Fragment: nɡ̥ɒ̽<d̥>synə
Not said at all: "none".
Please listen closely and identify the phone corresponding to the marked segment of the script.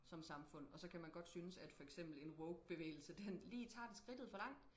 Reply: d̥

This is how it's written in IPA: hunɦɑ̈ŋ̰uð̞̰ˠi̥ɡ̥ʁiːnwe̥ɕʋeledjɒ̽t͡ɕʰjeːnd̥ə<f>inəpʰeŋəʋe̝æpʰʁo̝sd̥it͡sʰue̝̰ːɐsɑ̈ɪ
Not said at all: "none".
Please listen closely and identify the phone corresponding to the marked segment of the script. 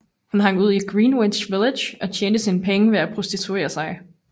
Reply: s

